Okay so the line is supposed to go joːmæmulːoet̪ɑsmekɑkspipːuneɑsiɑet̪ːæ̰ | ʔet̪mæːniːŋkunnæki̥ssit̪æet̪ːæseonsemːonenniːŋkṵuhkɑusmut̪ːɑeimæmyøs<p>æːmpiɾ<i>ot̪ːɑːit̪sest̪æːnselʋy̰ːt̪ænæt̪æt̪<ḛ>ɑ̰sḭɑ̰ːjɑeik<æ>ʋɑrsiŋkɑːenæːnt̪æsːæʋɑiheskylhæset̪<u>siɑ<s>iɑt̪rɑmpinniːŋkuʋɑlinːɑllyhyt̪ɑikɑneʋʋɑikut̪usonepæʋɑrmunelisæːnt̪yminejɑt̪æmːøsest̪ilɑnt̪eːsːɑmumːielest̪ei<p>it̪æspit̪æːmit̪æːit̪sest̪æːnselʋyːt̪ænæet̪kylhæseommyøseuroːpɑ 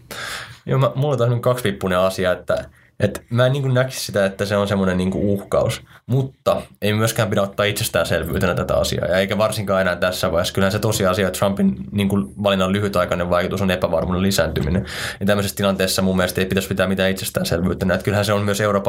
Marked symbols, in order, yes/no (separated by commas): no, no, no, yes, no, yes, yes